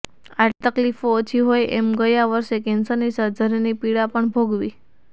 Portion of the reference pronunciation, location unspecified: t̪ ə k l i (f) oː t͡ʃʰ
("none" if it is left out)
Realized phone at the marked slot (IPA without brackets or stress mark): f